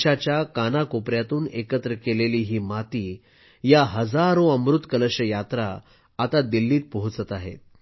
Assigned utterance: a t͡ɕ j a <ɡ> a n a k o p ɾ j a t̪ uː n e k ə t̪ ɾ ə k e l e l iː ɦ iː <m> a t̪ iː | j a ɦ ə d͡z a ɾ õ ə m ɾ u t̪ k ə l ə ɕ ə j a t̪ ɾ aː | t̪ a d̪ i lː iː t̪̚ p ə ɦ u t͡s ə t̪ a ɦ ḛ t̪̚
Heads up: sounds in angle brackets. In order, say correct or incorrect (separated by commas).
incorrect, correct